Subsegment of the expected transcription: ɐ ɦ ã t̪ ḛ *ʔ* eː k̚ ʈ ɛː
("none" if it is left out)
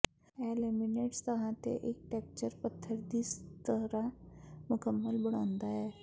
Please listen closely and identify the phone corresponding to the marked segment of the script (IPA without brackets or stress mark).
ʔ